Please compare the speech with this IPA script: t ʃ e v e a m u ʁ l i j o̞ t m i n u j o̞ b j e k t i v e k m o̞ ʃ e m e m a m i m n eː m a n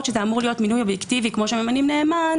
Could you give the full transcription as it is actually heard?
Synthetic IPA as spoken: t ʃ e z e a m u ʁ l i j o̞ t m i n u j o̞ b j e k t i v i k m o̞ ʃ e m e m a n i m n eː m a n